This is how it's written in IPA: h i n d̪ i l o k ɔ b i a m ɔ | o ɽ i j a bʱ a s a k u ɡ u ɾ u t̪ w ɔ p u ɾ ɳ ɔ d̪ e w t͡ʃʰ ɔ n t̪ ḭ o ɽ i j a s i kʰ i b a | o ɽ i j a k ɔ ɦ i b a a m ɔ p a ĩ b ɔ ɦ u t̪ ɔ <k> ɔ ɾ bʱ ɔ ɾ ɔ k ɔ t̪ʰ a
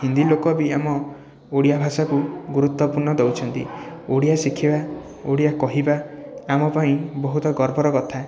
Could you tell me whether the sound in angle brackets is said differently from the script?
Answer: yes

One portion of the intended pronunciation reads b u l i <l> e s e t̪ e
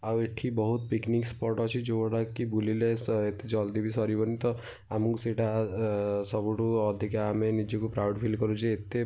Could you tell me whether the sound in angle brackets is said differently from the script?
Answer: no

